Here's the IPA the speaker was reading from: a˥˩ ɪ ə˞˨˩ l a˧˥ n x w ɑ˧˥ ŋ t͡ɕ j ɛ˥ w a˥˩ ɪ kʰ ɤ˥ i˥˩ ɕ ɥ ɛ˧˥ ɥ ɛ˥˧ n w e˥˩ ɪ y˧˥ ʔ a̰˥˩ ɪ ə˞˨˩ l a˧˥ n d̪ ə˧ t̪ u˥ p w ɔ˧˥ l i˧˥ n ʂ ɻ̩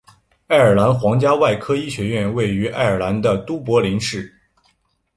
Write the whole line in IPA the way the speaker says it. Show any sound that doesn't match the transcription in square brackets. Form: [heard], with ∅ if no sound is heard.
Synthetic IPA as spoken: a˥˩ ɪ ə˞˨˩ l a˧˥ n x w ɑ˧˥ ŋ t͡ɕ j [a˥] w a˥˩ ɪ kʰ ɤ˥ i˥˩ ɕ ɥ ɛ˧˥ ɥ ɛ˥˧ n w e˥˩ ɪ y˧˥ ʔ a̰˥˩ ɪ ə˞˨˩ l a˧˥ n d̪ ə˧ t̪ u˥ p w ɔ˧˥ l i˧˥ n ʂ ɻ̩